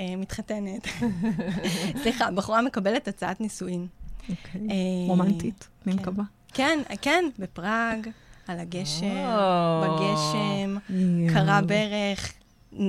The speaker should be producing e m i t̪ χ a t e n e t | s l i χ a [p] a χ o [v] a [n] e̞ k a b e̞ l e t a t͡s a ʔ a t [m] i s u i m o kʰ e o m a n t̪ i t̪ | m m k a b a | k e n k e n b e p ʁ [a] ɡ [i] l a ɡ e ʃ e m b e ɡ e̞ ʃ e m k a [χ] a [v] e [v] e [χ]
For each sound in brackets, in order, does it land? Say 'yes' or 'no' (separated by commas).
no, no, no, no, yes, no, no, no, no, yes